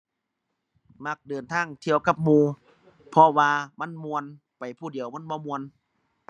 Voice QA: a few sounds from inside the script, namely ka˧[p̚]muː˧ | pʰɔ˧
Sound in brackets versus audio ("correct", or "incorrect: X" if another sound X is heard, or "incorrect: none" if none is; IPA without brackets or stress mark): correct